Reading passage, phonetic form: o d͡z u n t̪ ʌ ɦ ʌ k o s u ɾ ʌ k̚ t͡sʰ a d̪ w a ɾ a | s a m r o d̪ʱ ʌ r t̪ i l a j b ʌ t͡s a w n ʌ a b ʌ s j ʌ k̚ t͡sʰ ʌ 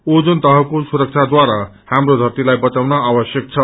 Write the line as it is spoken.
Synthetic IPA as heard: o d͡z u n t̪ ʌ ɦ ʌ k o s u ɾ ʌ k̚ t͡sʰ a d̪ w a ɾ a | h a m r o d̪ʱ ʌ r t̪ i l a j b ʌ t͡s a w n ʌ a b ʌ s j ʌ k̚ t͡sʰ ʌ